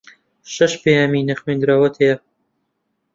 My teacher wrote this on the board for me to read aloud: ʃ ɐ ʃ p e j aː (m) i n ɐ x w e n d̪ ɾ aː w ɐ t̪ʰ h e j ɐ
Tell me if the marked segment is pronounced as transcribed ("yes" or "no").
yes